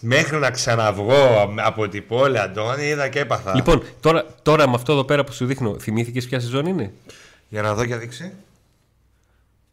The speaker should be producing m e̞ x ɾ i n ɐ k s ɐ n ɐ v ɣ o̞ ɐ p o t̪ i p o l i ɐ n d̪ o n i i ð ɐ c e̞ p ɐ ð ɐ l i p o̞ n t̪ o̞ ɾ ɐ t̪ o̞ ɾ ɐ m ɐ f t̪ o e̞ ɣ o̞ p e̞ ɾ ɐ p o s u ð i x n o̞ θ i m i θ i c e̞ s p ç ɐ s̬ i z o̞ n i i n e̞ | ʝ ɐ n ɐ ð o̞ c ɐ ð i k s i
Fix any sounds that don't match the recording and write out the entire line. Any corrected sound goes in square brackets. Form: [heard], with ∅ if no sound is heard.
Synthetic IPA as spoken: m e̞ x ɾ i n ɐ k s ɐ n ɐ v ɣ o̞ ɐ p o t̪ i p o l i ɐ n d̪ o n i i ð ɐ c e̞ p ɐ [θ] ɐ l i p o̞ n t̪ o̞ ɾ ɐ t̪ o̞ ɾ ɐ m ɐ f t̪ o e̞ [ð] o̞ p e̞ ɾ ɐ p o s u ð i x n o̞ θ i m i θ i c e̞ s p ç ɐ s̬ i z o̞ n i i n e̞ | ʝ ɐ n ɐ ð o̞ c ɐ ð i k s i